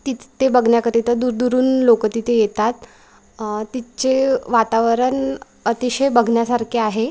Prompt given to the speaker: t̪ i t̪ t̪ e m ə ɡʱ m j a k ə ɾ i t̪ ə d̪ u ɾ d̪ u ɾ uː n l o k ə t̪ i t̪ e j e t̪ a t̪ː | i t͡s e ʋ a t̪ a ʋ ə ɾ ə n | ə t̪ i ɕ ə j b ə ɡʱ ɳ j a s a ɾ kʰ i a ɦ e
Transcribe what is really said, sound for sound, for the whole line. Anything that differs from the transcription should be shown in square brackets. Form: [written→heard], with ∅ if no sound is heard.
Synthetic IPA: t̪ i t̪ t̪ e [m→b] ə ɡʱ [m→ɳ] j a k ə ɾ i t̪ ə d̪ u ɾ d̪ u ɾ uː n l o k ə t̪ i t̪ e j e t̪ a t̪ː | i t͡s e ʋ a t̪ a ʋ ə ɾ ə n | ə t̪ i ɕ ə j b ə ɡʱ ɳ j a s a ɾ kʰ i a ɦ e